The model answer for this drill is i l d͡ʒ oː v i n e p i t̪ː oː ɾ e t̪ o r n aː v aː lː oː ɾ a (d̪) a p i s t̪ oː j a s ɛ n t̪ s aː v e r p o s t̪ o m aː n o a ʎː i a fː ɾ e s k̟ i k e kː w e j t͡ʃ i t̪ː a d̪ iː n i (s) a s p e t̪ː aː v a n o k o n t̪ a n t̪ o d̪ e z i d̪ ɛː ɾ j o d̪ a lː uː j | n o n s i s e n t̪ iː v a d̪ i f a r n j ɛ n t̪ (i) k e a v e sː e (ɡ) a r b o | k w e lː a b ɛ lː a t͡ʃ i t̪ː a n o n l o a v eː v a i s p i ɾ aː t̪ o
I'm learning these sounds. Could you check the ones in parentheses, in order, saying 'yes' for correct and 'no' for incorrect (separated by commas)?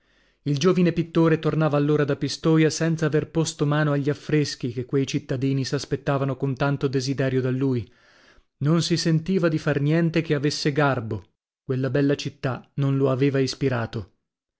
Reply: yes, yes, no, yes